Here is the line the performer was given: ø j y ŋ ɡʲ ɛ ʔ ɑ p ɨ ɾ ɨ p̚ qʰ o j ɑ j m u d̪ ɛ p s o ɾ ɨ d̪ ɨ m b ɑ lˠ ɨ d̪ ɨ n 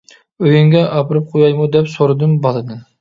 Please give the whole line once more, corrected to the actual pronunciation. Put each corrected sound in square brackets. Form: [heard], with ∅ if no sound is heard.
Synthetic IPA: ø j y ŋ ɡʲ ɛ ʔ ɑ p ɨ ɾ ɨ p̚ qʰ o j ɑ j m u d̪ ɛ p s o ɾ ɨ d̪ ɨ m b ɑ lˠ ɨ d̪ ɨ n